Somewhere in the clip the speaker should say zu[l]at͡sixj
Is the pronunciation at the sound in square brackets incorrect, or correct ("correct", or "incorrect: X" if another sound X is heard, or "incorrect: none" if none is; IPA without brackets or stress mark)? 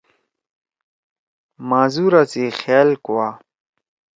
incorrect: ɾ